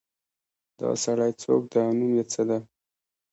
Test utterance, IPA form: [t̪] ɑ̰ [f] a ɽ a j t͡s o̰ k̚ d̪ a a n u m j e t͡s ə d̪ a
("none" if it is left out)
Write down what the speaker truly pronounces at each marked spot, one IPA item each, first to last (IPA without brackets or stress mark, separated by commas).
d̪, s